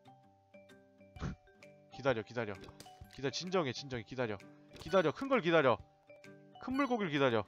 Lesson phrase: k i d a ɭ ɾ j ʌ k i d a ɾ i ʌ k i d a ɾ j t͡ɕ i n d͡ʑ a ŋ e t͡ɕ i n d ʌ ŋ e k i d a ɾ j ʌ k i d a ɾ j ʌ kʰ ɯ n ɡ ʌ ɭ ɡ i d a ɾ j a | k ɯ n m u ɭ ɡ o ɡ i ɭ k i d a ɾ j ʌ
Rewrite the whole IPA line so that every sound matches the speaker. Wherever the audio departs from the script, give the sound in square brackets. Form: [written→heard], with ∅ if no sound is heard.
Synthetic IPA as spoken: k i d a [ɭ→∅] ɾ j ʌ k i d a ɾ [i→j] ʌ k i d a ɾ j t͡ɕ i n d͡ʑ [a→ʌ] ŋ e t͡ɕ i n [d→d͡ʑ] ʌ ŋ e k i d a ɾ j ʌ k i d a ɾ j ʌ kʰ ɯ n ɡ ʌ ɭ [ɡ→k] i d a ɾ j [a→ʌ] | [k→kʰ] ɯ n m u ɭ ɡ o ɡ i ɭ k i d a ɾ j ʌ